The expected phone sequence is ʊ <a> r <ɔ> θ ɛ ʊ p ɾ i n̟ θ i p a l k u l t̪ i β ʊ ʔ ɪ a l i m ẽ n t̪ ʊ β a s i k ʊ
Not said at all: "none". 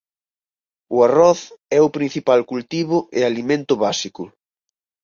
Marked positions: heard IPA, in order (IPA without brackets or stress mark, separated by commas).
a, ɔ